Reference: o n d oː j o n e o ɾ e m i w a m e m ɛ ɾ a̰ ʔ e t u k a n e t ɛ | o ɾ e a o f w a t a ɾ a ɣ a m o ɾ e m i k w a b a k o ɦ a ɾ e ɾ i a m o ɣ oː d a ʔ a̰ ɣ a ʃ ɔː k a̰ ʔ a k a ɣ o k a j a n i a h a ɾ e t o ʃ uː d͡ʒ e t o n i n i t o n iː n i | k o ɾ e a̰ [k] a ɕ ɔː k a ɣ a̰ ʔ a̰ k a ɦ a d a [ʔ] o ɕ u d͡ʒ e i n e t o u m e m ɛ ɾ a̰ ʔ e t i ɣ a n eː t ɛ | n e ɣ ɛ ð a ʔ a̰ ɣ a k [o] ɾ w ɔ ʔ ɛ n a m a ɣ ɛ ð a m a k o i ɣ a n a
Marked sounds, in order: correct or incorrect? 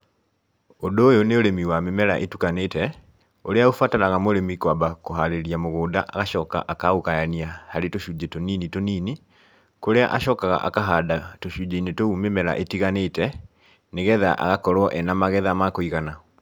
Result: incorrect: ʔ, incorrect: t, incorrect: ɔ

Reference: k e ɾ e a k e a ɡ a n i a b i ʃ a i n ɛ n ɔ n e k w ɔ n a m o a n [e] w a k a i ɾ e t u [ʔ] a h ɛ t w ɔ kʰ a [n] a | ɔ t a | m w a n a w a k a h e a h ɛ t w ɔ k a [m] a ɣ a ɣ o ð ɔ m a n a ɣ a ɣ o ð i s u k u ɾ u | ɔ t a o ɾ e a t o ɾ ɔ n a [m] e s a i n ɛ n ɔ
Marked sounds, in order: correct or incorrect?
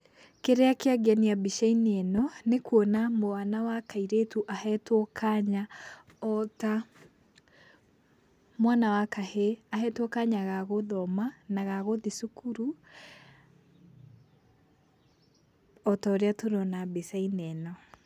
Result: incorrect: a, correct, incorrect: ɲ, incorrect: ɲ, incorrect: b

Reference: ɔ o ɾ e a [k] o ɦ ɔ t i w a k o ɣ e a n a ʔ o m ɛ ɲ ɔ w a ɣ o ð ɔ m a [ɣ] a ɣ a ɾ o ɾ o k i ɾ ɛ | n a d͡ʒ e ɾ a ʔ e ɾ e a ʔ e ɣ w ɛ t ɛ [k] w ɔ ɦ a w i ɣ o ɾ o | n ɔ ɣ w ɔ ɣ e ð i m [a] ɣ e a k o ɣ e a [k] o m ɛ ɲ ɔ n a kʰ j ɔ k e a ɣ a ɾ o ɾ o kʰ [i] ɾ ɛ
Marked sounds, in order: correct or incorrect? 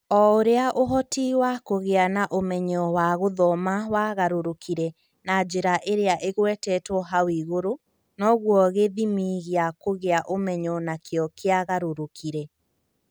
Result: incorrect: ʔ, incorrect: w, incorrect: t, incorrect: i, incorrect: ʔ, correct

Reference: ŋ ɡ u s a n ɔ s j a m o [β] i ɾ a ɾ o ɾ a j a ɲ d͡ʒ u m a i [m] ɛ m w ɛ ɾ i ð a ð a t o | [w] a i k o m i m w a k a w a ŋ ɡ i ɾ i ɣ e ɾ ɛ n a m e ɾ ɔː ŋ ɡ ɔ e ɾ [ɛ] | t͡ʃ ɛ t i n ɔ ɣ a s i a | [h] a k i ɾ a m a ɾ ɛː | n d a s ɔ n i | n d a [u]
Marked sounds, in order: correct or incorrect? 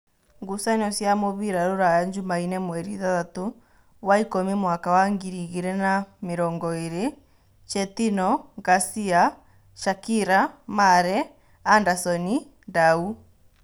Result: correct, incorrect: n, correct, incorrect: e, incorrect: ʃ, correct

